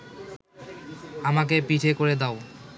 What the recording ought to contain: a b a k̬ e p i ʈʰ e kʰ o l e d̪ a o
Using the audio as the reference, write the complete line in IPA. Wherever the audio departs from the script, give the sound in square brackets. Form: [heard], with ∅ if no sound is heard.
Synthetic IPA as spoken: a [m] a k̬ e p i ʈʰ e [k] o [ɾ] e d̪ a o